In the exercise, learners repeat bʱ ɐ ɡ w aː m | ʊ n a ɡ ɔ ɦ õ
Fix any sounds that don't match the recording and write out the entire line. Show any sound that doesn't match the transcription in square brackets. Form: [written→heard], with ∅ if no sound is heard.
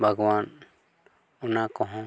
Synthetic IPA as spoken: bʱ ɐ ɡ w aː [m→n] | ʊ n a [ɡ→k] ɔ ɦ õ